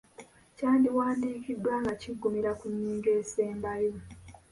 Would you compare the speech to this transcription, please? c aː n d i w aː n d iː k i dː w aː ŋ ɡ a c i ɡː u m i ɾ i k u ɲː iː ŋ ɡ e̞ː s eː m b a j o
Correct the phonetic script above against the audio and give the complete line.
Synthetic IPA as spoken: c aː n d i w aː n d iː k i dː w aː ŋ ɡ a c i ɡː u m i ɾ a k u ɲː iː ŋ ɡ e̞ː s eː m b a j o